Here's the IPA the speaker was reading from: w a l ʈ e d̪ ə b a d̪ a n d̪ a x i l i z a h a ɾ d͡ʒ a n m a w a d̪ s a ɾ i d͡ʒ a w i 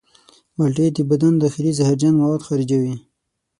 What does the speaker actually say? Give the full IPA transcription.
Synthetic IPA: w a l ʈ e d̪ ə b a d̪ a n d̪ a x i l i z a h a ɾ d͡ʒ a n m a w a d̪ x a ɾ i d͡ʒ a w i

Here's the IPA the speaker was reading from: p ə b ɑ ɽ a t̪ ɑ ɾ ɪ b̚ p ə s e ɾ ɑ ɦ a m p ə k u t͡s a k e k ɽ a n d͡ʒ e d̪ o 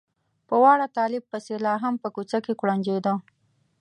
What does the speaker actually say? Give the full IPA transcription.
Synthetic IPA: p ə w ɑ ɽ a t̪ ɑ l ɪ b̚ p ə s e l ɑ ɦ a m p ə k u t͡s a k e k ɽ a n d͡ʒ e d̪ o

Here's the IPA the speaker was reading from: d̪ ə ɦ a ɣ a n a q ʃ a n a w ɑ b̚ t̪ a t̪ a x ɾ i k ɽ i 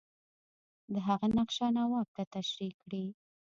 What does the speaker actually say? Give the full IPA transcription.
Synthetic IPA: d̪ ə ɦ a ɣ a n a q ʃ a n a w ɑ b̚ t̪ a t̪ a ʃ ɾ i k ɽ i

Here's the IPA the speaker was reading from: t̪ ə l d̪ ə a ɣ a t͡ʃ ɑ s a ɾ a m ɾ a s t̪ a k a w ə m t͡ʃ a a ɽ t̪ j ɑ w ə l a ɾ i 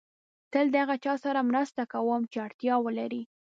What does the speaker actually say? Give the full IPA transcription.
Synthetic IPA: t̪ ə l d̪ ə a ɣ a t͡ʃ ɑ s a ɾ a m ɾ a s t̪ a k a w ə m t͡ʃ e a ɽ t̪ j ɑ w ə l a ɾ i

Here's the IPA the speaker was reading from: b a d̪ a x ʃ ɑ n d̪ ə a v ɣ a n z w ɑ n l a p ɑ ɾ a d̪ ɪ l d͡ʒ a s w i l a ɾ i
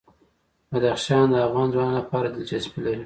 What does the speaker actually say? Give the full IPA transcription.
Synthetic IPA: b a d̪ a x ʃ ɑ n d̪ ə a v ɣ ɑ n z w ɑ n l a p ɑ ɾ a d̪ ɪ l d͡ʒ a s b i l a ɾ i

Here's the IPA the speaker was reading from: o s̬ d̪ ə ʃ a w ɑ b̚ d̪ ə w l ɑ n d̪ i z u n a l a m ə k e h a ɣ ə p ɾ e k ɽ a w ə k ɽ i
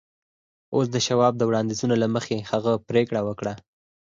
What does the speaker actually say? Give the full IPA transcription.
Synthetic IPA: o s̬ d̪ ə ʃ a w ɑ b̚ d̪ ə w ɽ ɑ n d̪ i z u n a l a m ə x e h a ɣ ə p ɾ e k ɽ a w ə k ɽ a

